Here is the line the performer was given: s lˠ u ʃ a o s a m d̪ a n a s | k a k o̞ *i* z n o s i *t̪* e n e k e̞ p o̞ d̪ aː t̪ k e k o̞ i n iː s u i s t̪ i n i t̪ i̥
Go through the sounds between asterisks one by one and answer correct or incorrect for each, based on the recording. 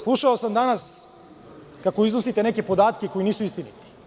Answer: correct, correct

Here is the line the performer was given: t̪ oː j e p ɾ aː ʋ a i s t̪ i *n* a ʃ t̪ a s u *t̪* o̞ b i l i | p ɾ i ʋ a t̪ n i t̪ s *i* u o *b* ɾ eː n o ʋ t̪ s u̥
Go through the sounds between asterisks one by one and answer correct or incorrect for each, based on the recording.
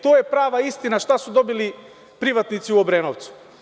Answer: correct, incorrect: d̪, correct, correct

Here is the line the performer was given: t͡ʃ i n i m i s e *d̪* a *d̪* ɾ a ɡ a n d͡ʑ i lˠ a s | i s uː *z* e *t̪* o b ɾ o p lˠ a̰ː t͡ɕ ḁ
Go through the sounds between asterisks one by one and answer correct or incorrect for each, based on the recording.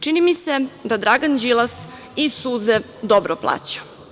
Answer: correct, correct, correct, incorrect: d̪

